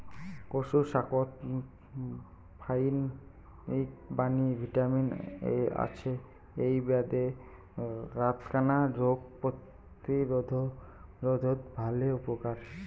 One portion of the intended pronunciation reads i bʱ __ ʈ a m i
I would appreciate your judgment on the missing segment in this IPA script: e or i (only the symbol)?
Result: i